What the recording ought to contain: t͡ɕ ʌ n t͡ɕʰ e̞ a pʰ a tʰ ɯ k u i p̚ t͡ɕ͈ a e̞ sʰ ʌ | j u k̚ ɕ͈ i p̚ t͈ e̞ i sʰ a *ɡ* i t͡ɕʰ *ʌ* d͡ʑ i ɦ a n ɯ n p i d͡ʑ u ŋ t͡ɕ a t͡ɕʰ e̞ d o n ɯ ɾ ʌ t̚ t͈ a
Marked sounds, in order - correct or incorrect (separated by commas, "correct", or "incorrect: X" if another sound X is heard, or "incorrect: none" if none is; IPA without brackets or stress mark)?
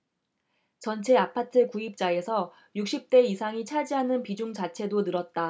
incorrect: ŋ, incorrect: a